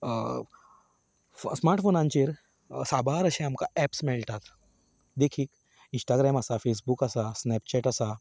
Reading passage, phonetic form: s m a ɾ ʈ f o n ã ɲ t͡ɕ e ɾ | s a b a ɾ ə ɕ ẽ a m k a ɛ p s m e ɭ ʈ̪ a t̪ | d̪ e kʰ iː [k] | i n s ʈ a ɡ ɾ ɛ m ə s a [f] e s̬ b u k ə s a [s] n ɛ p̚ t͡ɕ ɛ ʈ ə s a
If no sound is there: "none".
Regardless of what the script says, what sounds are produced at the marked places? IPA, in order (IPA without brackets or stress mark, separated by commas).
k, f, s